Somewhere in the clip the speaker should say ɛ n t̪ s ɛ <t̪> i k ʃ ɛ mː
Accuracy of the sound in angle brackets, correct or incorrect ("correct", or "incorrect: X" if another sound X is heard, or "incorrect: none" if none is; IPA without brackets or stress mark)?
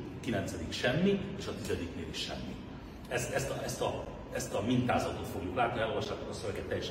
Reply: incorrect: d̪